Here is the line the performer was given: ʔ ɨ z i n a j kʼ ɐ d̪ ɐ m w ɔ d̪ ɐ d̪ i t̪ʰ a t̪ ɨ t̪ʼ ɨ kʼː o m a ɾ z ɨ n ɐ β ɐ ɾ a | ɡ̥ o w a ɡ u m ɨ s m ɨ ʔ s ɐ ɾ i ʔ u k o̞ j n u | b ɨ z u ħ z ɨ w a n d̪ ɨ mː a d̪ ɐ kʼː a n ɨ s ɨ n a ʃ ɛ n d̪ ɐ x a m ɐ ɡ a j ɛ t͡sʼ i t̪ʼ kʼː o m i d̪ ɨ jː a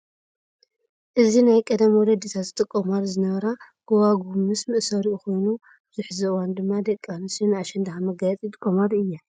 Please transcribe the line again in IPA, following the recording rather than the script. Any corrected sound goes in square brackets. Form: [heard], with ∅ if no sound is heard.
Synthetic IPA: ʔ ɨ z i n a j kʼ ɐ d̪ ɐ m w ɔ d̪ ɐ d̪ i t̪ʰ a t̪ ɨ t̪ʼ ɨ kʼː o m a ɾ z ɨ n ɐ β ɐ ɾ a | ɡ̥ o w a ɡ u m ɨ s m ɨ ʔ s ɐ ɾ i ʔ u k o̞ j n u | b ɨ z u ħ z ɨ w a n d̪ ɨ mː a d̪ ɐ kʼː a n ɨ s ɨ n a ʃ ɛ n d̪ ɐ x a m ɐ ɡ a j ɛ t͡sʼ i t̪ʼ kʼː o m [a] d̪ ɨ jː a